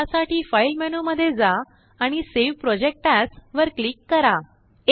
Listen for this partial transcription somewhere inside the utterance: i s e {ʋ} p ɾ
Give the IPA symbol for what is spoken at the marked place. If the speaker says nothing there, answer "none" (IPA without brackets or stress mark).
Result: ʋ